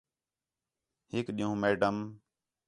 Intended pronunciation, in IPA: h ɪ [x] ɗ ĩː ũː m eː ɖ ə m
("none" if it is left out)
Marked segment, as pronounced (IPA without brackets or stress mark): k